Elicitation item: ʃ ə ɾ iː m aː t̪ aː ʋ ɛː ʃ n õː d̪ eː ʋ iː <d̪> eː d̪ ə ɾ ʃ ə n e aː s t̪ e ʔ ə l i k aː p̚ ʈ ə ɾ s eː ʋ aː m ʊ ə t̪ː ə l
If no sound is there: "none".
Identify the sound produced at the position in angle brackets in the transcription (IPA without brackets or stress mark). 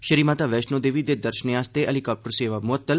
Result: d̪